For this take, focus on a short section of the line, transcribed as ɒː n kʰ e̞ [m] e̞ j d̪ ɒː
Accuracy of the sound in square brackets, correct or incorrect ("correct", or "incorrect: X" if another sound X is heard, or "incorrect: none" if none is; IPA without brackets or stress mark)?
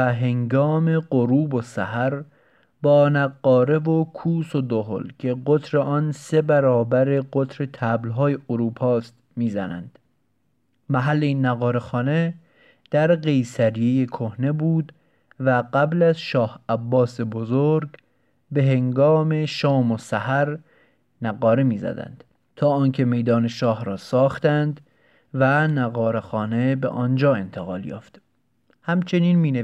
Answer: correct